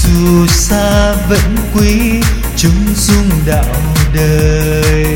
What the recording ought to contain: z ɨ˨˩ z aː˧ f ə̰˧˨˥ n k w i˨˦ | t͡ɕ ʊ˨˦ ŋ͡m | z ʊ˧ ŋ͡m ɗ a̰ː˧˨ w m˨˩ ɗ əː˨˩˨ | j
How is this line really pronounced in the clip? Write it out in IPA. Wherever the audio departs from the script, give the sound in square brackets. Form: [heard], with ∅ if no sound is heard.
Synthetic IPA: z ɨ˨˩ [s] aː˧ [v] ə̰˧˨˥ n k w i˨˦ | t͡ɕ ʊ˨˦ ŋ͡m | z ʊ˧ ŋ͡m ɗ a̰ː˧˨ w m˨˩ ɗ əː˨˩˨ | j